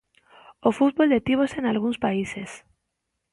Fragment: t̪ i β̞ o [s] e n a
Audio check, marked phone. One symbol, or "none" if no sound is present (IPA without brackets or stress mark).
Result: s